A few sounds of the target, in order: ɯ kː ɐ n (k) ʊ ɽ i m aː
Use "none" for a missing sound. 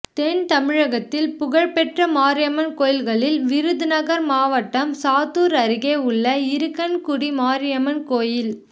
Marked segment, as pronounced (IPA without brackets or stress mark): k